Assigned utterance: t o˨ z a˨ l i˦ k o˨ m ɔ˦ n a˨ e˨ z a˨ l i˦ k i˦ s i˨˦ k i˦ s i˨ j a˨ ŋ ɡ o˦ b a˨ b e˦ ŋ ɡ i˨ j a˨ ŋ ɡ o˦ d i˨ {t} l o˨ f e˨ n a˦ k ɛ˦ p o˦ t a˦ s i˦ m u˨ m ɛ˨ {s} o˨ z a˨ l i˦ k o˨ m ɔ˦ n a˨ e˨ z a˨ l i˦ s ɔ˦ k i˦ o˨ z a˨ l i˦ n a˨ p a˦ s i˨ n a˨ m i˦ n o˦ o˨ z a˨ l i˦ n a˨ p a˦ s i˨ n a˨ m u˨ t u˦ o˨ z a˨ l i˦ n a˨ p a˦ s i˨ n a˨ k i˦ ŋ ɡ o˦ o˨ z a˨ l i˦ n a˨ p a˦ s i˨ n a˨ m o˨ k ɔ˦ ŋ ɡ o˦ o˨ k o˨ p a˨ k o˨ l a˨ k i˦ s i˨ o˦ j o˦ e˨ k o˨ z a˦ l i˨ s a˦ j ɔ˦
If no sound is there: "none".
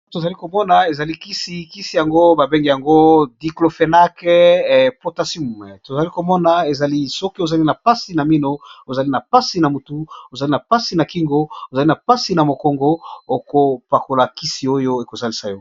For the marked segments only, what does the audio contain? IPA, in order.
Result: k, t

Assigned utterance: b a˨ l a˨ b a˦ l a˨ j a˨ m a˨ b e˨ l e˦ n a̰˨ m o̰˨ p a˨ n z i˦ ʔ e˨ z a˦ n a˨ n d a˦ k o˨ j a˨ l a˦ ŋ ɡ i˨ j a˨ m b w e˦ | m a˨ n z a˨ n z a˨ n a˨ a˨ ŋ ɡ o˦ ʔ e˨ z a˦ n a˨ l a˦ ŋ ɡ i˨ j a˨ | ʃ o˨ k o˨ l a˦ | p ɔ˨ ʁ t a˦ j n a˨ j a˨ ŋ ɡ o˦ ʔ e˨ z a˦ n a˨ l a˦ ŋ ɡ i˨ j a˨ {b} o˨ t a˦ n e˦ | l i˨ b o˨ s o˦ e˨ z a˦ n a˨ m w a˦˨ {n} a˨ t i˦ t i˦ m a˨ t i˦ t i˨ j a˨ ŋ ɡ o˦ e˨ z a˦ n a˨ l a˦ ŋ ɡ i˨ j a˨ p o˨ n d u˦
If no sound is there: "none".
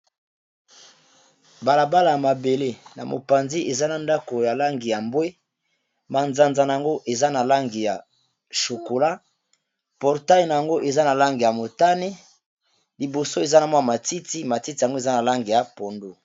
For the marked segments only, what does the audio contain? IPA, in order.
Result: m, m

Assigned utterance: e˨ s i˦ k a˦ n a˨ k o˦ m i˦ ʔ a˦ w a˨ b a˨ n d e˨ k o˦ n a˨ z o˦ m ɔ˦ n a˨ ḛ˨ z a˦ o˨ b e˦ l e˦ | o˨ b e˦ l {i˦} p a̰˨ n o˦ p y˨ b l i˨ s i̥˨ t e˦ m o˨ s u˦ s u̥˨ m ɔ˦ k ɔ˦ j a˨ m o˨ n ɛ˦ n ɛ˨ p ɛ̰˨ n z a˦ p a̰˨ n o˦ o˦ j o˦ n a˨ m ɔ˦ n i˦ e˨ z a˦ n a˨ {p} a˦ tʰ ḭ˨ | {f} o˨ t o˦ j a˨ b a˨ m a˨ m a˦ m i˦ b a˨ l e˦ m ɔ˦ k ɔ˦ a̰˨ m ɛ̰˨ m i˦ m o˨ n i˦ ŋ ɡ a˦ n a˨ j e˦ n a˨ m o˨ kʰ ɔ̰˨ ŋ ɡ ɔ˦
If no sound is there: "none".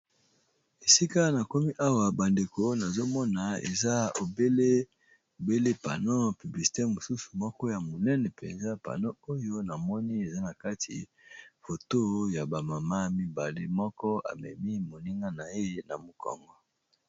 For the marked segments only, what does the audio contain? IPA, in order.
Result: e˦, k, f

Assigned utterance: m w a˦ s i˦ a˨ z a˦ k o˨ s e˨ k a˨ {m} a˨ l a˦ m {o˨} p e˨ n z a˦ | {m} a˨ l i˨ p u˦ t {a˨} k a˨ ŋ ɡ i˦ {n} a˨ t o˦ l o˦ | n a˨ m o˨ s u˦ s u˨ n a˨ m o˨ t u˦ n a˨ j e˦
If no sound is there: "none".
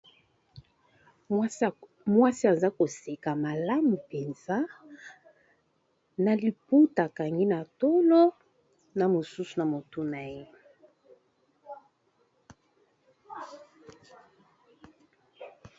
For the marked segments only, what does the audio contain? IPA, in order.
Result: m, u˨, n, a˨, n

